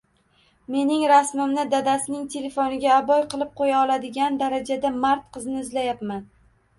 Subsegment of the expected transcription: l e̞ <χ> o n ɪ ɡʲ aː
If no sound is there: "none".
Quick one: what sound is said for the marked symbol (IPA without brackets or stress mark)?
f